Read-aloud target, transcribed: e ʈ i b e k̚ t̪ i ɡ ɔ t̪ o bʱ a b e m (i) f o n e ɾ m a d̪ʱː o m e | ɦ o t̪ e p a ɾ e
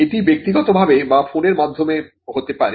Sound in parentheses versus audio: incorrect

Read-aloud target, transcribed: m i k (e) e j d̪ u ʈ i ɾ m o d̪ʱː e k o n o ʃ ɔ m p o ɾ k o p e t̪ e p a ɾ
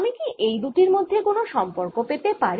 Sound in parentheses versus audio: incorrect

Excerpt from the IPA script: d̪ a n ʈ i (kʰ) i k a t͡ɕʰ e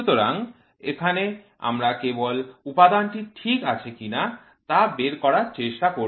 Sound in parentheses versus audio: incorrect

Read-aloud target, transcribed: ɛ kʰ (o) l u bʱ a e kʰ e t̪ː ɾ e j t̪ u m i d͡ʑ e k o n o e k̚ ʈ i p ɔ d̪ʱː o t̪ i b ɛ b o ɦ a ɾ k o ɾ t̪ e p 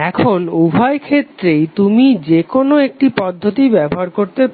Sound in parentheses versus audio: correct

